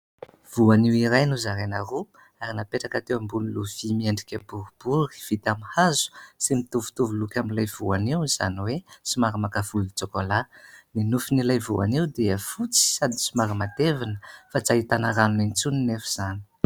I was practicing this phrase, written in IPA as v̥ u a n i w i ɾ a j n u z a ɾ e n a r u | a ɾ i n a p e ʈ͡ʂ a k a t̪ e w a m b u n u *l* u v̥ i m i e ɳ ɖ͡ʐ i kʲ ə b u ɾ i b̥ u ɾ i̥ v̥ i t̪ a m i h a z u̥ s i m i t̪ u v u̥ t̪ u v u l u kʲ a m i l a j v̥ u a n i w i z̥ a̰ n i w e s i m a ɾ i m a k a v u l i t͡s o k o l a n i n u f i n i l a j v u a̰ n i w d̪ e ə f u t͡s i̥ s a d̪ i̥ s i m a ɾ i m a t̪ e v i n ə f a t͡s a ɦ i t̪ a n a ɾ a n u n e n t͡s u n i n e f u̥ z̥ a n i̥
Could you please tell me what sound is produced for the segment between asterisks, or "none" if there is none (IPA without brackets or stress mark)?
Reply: l